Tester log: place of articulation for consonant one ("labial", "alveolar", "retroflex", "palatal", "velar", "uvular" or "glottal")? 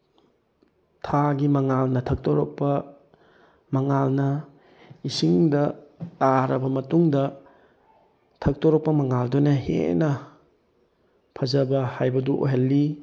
alveolar